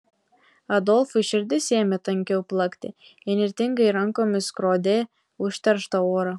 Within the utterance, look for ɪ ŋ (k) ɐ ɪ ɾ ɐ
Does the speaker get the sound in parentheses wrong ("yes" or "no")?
yes